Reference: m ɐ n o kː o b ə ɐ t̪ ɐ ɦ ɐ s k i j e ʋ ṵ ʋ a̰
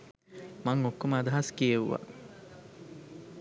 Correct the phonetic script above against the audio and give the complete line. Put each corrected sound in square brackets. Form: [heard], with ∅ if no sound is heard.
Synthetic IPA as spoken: m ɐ [ŋ] o kː o [m] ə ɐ [d̪] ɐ ɦ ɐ s k i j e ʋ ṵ ʋ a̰